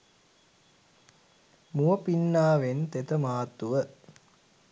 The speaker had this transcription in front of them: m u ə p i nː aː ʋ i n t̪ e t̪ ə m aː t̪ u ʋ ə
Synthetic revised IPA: m u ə p i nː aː ʋ e n t̪ e t̪ ə m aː t̪ u ʋ ə